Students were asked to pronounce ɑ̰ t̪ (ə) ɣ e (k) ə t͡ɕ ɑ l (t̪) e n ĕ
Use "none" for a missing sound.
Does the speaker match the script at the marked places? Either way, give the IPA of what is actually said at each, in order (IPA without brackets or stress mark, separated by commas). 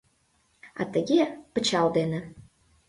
ə, p, d̪